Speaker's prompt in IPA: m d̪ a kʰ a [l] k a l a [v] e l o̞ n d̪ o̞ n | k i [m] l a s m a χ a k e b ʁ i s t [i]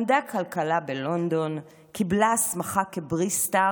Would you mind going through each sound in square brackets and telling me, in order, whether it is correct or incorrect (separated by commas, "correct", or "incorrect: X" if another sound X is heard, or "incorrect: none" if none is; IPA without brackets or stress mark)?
correct, incorrect: b, incorrect: b, incorrect: a